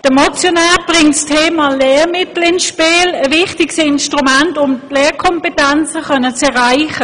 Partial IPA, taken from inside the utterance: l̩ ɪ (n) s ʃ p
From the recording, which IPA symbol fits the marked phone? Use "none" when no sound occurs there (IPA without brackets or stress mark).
n